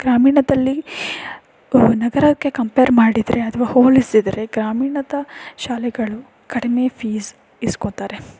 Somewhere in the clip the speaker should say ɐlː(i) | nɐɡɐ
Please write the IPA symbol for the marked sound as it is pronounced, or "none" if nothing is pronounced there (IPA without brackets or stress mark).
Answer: i